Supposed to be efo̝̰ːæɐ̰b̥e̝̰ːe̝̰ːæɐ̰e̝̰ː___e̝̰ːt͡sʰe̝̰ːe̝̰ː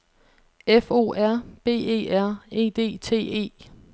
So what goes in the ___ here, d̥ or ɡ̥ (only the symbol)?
d̥